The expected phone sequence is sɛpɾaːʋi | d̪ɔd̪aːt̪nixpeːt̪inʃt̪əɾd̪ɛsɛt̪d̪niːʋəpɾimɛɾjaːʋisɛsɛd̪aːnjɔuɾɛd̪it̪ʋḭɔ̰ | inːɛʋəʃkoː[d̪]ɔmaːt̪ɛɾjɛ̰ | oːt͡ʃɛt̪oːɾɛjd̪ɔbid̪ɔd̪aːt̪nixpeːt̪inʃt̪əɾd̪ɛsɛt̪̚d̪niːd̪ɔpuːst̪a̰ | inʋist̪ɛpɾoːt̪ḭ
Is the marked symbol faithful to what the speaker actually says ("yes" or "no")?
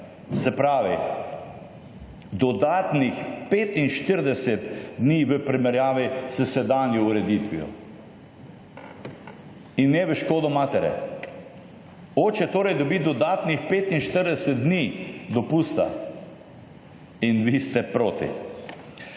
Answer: yes